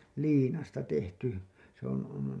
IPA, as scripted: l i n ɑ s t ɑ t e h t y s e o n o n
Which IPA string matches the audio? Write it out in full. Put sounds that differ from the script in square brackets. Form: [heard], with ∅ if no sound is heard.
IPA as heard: l [iː] n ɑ s t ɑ t e h t y s e o n o n